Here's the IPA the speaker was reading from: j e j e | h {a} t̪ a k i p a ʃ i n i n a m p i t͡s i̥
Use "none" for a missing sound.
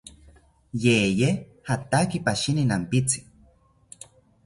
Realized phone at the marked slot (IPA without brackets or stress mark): a